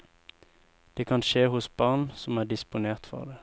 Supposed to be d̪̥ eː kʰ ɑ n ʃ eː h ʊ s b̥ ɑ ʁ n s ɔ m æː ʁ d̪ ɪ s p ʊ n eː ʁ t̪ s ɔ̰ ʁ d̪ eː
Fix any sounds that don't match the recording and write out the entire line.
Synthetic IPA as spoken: d̪̥ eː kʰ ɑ n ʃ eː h ʊ s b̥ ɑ ʁ n s ɔ m æː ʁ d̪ ɪ s p ʊ n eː ʁ t̪ f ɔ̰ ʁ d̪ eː

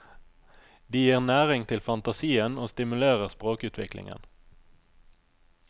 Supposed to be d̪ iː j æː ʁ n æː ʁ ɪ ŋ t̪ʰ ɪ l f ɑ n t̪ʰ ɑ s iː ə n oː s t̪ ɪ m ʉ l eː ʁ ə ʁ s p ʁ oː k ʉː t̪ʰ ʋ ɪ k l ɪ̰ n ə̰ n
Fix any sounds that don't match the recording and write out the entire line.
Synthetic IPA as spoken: d̪ iː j iː ʁ n æː ʁ ɪ ŋ t̪ʰ ɪ l f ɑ n t̪ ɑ s iː ə n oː s t̪ ɪ m ʉ l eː ʁ ə ʁ s p ʁ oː k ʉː t̪ʰ ʋ ɪ k l ɪ̰ ŋ ə̰ n

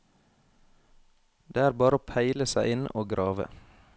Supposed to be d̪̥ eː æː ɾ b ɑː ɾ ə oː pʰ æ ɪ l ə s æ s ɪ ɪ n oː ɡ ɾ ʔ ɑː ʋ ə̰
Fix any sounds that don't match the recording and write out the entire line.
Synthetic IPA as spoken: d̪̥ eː æː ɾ b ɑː ɾ ə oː pʰ æ ɪ l ə s æ ɪ ɪ n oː ɡ ɾ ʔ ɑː ʋ ə̰

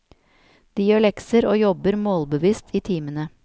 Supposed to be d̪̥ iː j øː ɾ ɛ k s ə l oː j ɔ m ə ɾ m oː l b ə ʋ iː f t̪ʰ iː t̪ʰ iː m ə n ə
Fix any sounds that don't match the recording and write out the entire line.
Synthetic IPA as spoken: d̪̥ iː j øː ɭ ɛ k s ə ɾ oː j ɔ b ə ɾ m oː l b ə ʋ iː s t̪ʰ iː t̪ʰ iː m ə n ə

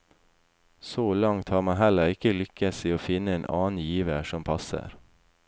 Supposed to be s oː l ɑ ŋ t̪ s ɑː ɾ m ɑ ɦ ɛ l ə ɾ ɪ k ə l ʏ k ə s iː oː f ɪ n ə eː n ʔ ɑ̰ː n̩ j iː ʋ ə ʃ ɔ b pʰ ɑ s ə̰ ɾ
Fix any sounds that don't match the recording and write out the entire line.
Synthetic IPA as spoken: s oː l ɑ ŋ t̪ h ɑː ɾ m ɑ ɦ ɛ l ə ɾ ɪ k ə l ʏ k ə s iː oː f ɪ n ə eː n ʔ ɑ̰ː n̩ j iː ʋ ə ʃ ɔ m pʰ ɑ s ə̰ ɾ

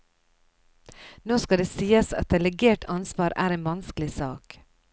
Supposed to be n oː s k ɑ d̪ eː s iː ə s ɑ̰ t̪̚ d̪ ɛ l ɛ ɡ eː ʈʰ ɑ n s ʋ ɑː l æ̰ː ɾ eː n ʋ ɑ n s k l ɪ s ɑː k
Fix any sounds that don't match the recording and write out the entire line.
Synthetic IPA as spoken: n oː s k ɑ d̪ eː s iː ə s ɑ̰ t̪̚ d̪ ɛ l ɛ ɡ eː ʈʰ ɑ n s ʋ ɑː ɾ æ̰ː ɾ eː n ʋ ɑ n s k l ɪ s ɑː k

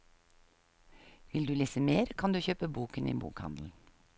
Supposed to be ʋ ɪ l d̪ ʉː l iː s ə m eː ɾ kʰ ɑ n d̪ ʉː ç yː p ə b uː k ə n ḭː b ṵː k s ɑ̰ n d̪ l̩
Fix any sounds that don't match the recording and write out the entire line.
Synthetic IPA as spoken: ʋ ɪ l d̪ ʉː l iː s ə m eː ɾ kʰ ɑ n d̪ ʉː ç øː p ə b uː k ə n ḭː b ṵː k h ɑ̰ n d̪ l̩

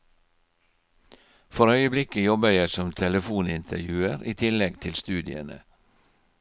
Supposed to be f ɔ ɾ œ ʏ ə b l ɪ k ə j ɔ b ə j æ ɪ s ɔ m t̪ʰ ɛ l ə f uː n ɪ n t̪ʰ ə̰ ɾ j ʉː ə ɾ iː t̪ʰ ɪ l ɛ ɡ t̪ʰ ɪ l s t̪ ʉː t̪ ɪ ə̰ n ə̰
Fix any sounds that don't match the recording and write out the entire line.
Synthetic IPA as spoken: f ɔ ɾ œ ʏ ə b l ɪ k ə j ɔ b ə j æ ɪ s ɔ m t̪ʰ ɛ l ə f uː n ɪ n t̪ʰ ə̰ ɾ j ʉː ə ɾ iː t̪ʰ ɪ l ɛ ɡ t̪ʰ ɪ l s t̪ ʉː d̪ ɪ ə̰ n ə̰

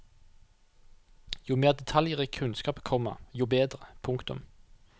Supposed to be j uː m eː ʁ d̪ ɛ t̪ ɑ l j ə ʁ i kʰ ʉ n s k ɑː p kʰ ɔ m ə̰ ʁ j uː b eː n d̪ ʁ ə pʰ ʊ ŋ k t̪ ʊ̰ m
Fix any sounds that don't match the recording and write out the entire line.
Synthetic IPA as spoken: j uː m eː ʁ d̪ ɛ t̪ʰ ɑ l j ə ʁ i kʰ ʉ n s k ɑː p kʰ ɔ m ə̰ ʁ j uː b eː d̪ ʁ ə pʰ ʊ ŋ k t̪ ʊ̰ m

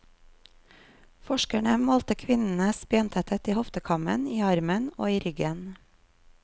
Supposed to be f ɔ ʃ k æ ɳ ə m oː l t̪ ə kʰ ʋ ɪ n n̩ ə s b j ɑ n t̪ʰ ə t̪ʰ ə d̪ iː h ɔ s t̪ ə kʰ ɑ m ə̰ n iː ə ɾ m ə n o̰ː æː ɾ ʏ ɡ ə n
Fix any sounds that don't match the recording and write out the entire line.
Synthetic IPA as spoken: f ɔ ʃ k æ ɳ ə m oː l t̪ ə kʰ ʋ ɪ n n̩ ə s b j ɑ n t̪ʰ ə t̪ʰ ə t̪ iː h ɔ f t̪ ə kʰ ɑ m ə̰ n iː ɑ ɾ m ə n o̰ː iː ɾ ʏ ɡ ə n

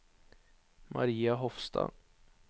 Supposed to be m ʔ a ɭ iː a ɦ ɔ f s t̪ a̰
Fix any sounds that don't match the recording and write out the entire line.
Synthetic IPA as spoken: m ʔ a ɾ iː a ɦ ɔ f s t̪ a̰

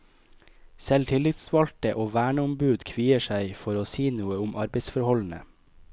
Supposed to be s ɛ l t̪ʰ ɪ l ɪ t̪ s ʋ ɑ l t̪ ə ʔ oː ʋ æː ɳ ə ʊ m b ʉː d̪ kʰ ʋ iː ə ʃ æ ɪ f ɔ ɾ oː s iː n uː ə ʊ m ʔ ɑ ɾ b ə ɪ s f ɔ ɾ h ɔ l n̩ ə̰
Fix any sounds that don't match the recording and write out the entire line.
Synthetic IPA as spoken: s ɛ l t̪ʰ ɪ l ɪ t̪ s ʋ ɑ l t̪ ə ʔ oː ʋ æː ɳ ə ʊ m b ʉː d̪ kʰ ʋ iː ə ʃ æ ɪ f ɔ ɾ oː s iː n uː ə ʊ m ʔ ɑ ɾ b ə ɪ s f ɔ ɾ h ɔ l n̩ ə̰

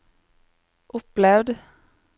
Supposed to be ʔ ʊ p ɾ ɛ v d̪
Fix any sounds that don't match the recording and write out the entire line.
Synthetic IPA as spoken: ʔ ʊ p l ɛ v d̪

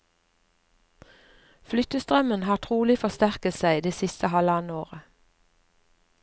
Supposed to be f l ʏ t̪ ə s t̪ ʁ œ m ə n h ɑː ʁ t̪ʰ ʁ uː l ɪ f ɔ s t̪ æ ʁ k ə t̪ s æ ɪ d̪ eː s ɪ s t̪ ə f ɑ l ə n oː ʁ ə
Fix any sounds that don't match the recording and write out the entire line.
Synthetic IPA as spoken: f l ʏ t̪ ə s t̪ ʁ œ m ə n h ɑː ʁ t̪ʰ ʁ uː l ɪ f ɔ s t̪ æ ʁ k ə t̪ s æ ɪ d̪ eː s ɪ s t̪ ə h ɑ l ɑ n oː ʁ ə

